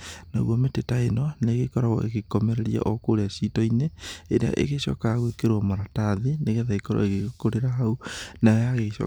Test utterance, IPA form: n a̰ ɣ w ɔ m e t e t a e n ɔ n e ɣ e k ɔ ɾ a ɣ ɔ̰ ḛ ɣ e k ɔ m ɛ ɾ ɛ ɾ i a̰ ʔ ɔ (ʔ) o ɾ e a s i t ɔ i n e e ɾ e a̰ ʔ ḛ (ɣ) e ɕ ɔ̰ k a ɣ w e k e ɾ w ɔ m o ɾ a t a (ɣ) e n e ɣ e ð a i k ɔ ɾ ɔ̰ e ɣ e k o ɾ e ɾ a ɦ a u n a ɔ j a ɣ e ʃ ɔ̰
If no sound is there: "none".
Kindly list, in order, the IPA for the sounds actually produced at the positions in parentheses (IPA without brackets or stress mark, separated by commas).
k, ɣ, ð